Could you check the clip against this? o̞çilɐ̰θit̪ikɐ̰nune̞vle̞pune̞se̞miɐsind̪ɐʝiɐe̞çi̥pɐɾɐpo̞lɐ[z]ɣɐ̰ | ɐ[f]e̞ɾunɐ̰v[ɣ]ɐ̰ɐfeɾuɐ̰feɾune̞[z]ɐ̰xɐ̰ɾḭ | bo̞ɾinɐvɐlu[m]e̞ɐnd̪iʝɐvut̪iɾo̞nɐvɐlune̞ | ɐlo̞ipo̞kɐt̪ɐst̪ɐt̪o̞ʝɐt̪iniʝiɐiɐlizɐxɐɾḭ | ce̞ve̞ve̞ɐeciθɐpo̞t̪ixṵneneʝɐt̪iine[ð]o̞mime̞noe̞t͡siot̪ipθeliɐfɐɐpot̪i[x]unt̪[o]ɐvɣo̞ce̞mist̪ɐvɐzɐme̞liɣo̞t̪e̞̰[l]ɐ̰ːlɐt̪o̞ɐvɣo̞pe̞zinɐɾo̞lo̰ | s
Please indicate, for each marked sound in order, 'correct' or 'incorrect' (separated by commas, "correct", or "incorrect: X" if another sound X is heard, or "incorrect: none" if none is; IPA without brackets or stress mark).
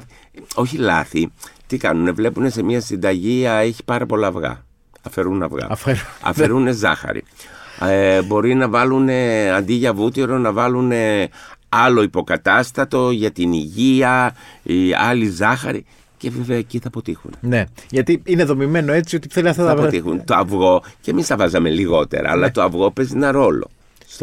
incorrect: v, correct, correct, correct, incorrect: n, correct, correct, correct, incorrect: ɾ